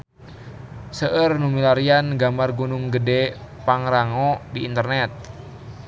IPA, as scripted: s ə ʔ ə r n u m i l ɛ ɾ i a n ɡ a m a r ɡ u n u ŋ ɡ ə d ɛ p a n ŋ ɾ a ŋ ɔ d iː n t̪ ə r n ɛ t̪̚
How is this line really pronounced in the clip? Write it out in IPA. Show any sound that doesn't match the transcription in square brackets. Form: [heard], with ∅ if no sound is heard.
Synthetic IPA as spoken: s ə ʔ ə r n u m i l [a] ɾ i a n ɡ a m a r ɡ u n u ŋ ɡ ə d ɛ p a [∅] ŋ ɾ a ŋ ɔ d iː n t̪ ə r n ɛ t̪̚